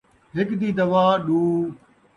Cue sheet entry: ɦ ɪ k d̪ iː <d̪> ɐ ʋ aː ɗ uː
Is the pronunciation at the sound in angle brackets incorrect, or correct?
correct